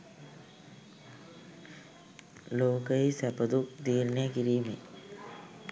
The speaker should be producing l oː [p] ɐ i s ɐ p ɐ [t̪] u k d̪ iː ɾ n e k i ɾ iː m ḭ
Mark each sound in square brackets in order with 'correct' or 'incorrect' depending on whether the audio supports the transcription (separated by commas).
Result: incorrect, incorrect